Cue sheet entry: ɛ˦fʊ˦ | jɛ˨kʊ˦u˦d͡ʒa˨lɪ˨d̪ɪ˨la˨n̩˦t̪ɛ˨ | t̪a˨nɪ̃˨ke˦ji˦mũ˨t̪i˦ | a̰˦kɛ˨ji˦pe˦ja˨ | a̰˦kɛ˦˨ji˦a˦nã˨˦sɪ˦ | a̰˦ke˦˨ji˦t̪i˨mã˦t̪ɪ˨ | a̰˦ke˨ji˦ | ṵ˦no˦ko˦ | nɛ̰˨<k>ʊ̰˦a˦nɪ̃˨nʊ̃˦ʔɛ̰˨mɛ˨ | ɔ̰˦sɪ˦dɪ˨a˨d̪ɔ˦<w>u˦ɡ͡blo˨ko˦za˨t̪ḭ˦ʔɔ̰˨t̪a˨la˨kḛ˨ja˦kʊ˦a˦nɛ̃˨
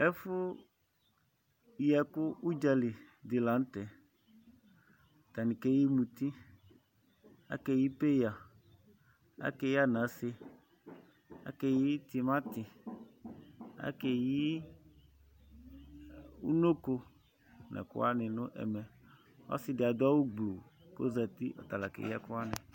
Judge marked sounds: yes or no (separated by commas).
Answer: yes, yes